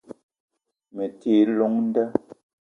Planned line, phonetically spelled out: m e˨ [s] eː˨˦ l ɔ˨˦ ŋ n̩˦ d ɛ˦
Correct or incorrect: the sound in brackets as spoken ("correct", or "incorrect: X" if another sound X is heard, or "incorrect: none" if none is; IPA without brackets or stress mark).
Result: incorrect: t